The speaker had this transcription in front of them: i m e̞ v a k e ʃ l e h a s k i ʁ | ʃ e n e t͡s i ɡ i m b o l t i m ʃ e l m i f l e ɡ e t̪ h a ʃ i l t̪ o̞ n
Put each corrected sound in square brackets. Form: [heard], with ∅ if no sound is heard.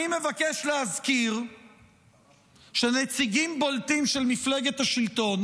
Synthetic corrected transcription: i m e̞ v a k e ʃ l e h a [z] k i ʁ | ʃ e n e t͡s i ɡ i m b o l t i m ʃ e l m i f l e ɡ e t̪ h a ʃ i l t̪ o̞ n